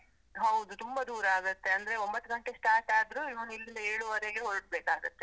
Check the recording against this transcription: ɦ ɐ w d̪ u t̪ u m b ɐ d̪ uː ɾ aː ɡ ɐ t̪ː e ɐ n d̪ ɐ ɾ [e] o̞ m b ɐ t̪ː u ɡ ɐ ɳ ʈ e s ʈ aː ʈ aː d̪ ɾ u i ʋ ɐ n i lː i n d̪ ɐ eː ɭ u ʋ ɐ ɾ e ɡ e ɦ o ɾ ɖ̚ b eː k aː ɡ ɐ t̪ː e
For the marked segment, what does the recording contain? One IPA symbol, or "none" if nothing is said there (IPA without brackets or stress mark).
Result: e